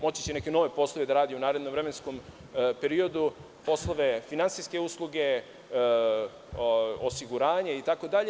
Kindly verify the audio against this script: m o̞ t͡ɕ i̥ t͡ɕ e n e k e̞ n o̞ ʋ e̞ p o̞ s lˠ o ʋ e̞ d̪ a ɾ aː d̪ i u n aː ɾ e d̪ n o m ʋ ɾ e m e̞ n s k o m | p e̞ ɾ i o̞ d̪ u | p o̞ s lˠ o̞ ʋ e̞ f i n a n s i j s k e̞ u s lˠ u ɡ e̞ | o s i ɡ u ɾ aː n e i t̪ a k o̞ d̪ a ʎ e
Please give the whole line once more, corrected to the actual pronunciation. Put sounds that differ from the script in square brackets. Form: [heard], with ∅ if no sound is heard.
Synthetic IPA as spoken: m o̞ t͡ɕ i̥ t͡ɕ e n e k e̞ n o̞ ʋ e̞ p o̞ s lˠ o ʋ e̞ d̪ a ɾ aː d̪ i u n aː ɾ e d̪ n o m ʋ ɾ e m e̞ n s k o m | p e̞ ɾ i o̞ d̪ u | p o̞ s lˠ o̞ ʋ e̞ f i n a n s i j s k e̞ u s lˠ u ɡ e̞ | o s i ɡ u ɾ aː [ɲ] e i t̪ a k o̞ d̪ a ʎ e